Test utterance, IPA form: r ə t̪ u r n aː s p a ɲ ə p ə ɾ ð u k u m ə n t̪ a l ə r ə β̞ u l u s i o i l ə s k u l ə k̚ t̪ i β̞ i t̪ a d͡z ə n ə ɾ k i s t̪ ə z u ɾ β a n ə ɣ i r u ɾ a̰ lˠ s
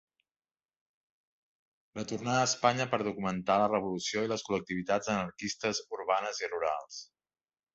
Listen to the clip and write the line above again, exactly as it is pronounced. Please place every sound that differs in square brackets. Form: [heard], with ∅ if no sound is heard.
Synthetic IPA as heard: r ə t̪ u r n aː s p a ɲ ə p ə ɾ ð u k u m ə n t̪ a l ə r ə β̞ u l u s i o i l ə s k u l ə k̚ t̪ i β̞ i t̪ a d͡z ə n ə ɾ k i s t̪ ə z u ɾ β a n ə [z] i r u ɾ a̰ lˠ s